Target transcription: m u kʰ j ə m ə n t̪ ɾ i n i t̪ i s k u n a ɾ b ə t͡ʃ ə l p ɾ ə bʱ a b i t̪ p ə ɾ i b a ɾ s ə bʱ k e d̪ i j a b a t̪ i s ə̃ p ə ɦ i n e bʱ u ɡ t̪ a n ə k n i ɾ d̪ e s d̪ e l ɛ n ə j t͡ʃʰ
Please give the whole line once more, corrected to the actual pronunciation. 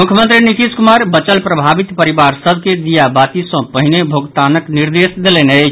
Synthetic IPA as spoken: m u kʰ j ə m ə n t̪ ɾ i n i t̪ i s k u m a ɾ b ə t͡ʃ ə l p ɾ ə bʱ a b i t̪ p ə ɾ i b a ɾ s ə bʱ k e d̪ i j a b a t̪ i s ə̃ p ə ɦ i n e bʱ o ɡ t̪ a n ə k n i ɾ d̪ e s d̪ e l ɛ n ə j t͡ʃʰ